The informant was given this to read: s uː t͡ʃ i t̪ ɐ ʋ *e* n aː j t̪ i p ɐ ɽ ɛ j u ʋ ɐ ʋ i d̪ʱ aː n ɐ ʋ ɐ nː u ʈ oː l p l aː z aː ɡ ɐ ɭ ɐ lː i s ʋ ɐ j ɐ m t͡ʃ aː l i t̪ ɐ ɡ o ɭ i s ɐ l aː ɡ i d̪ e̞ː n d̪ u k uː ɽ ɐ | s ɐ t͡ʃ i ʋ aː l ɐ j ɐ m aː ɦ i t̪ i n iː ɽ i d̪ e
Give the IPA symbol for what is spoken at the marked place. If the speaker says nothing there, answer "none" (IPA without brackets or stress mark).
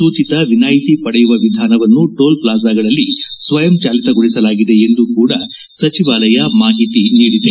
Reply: i